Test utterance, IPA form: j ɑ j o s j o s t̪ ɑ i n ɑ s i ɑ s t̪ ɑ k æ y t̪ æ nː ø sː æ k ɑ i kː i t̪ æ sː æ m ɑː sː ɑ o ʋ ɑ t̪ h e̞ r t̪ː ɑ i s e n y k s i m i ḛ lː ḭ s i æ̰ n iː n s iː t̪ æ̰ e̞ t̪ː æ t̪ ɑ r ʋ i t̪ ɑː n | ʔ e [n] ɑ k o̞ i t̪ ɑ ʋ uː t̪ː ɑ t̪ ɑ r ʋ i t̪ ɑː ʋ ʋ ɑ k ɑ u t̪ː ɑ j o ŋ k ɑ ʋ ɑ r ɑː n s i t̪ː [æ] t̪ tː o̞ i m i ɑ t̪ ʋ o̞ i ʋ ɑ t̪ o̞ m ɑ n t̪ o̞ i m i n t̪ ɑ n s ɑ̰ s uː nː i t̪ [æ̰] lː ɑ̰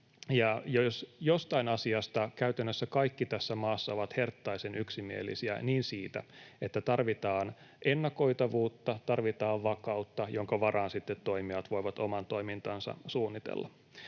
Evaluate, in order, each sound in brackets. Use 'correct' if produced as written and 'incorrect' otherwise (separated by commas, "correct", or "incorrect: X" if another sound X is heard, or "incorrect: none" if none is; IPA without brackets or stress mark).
incorrect: nː, incorrect: e, incorrect: ḛ